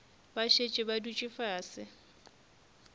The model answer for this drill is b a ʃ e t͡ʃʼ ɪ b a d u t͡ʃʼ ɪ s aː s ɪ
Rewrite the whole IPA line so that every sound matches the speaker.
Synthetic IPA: b a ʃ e t͡ʃʼ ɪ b a d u t͡ʃʼ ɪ f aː s ɪ

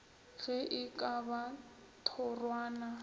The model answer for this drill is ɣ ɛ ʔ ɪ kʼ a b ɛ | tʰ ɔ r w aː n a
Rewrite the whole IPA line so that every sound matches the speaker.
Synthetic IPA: ɣ ɛ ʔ ɪ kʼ a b a | tʰ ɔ r w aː n a

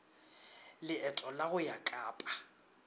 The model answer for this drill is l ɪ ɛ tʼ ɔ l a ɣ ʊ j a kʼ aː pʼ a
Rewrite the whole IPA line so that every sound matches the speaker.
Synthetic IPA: l ɪ ɛ tʼ ɔ l a ɣ ʊ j a kʼ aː pʼ a

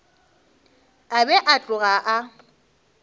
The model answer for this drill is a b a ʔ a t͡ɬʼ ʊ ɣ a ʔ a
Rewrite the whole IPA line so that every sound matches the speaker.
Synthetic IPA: a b ɛ ʔ a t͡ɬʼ ʊ ɣ a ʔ a

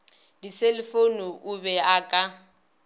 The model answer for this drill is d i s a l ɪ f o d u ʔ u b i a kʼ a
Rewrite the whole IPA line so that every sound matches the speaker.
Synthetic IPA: d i s e l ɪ f o n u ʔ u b ɛ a kʼ a

